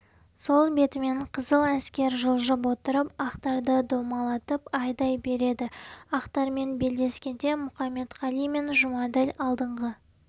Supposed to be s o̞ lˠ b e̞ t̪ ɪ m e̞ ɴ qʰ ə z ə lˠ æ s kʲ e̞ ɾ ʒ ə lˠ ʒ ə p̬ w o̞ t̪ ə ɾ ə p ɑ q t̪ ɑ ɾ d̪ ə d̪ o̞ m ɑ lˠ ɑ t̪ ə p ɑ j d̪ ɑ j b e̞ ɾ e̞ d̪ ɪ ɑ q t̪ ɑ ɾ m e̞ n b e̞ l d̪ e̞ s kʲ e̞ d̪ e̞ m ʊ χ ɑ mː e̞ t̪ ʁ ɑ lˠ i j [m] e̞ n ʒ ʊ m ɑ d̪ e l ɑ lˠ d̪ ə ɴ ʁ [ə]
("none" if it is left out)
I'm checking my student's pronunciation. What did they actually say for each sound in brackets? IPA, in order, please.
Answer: m, ə

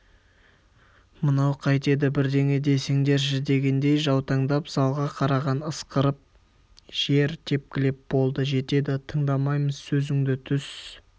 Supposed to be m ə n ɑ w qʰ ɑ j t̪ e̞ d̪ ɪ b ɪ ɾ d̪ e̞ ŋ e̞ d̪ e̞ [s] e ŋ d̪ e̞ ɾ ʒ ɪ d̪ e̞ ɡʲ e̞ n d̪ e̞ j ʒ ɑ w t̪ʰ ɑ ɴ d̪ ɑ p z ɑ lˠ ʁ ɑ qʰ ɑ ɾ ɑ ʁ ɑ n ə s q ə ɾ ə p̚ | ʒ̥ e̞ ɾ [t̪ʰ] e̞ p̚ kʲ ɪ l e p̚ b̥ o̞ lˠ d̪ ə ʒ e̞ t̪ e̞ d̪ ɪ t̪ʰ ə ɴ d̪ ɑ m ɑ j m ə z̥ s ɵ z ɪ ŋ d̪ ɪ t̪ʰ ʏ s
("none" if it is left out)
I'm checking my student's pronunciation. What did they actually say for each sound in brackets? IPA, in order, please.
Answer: s, t̪ʰ

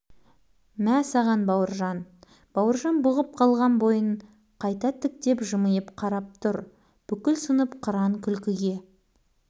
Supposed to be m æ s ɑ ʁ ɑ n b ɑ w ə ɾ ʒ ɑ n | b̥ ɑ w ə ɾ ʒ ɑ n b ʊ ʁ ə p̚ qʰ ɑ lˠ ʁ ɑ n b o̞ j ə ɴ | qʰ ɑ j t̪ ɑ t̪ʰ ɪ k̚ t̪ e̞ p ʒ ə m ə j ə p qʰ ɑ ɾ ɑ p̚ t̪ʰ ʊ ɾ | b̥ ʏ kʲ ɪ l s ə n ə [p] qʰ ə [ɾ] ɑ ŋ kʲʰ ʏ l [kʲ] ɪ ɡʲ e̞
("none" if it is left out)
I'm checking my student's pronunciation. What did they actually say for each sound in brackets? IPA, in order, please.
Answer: p, ɾ, kʲ

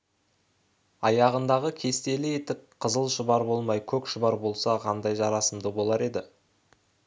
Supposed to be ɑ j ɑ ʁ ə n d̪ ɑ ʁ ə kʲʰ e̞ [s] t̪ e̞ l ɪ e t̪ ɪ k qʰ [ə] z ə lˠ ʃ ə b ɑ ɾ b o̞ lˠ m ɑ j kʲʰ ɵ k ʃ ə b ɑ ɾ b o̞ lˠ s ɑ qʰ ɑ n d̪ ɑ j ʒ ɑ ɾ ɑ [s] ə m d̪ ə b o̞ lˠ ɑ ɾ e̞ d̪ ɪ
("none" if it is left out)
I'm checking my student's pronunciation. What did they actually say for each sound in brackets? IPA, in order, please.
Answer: s, ə, s

